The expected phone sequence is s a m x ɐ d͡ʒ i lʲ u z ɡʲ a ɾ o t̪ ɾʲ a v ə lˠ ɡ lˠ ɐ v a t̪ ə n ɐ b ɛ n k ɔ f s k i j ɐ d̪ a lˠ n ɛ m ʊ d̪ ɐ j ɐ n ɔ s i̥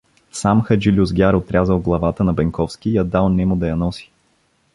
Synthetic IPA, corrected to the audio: s a m x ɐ d͡ʒ i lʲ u z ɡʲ a ɾ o t̪ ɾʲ a z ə lˠ ɡ lˠ ɐ v a t̪ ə n ɐ b ɛ ŋ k ɔ f s k i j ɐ d̪ a lˠ n ɛ m ʊ d̪ ɐ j ɐ n ɔ s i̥